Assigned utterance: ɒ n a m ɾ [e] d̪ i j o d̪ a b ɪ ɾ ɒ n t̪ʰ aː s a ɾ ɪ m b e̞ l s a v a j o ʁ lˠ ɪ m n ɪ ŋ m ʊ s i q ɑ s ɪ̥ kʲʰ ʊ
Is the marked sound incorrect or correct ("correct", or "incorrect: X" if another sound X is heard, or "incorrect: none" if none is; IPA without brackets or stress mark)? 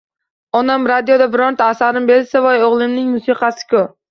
incorrect: a